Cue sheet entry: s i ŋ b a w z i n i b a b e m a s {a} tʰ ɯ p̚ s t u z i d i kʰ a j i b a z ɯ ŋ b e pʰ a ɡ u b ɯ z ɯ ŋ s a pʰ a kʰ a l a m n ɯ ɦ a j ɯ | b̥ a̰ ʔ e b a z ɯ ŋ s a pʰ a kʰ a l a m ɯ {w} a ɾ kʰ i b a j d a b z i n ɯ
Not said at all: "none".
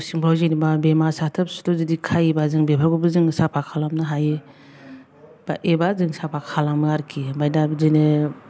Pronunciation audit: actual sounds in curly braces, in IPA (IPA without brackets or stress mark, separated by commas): a, none